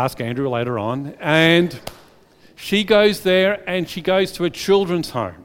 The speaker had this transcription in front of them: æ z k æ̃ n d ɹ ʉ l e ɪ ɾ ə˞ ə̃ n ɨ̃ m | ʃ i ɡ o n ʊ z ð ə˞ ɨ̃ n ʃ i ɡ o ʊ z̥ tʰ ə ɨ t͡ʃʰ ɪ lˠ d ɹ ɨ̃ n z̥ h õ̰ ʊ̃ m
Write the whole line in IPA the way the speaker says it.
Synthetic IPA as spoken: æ s k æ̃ n d ɹ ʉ l e ɪ ɾ ə˞ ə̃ n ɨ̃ n | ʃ i ɡ o ʊ z ð ə˞ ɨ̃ n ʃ i ɡ o ʊ z̥ tʰ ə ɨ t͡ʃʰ ɪ lˠ d ɹ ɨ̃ n z̥ h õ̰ ʊ̃ m